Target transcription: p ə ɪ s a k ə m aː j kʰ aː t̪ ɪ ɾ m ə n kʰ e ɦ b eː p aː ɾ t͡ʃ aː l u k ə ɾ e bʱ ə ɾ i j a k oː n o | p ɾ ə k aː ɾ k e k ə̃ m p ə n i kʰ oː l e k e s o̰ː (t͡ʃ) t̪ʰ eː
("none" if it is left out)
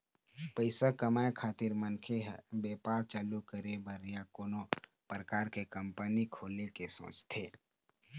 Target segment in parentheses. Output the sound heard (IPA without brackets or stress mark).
t͡ʃ